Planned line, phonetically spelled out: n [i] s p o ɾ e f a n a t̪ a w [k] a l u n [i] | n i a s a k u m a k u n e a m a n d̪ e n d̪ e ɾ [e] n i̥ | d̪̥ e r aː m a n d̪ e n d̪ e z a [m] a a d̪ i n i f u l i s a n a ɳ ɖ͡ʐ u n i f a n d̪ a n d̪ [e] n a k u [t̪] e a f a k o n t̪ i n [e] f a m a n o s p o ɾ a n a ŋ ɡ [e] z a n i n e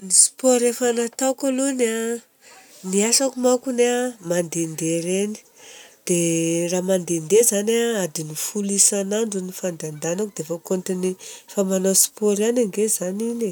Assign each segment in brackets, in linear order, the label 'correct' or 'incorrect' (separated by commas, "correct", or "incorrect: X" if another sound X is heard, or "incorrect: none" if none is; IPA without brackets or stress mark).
correct, correct, incorrect: a, correct, incorrect: n, incorrect: a, incorrect: d̪, incorrect: i, correct